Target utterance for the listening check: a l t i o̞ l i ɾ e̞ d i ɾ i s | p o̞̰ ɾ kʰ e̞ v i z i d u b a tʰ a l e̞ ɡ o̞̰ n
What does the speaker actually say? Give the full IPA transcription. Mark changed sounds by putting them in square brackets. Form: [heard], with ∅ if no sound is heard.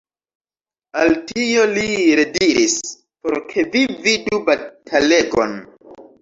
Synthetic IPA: a l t i o̞ l i ɾ e̞ d i ɾ i s | p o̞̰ ɾ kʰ e̞ v i [v] i d u b a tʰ a l e̞ ɡ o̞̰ n